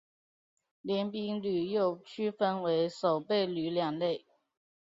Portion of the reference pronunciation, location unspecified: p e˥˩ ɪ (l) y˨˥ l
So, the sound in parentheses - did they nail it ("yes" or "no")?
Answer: yes